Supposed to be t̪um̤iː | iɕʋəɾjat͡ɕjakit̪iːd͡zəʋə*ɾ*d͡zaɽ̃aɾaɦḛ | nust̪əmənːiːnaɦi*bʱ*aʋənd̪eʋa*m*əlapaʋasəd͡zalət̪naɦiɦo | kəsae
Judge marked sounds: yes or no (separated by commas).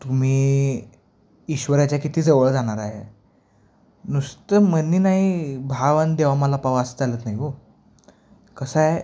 no, yes, yes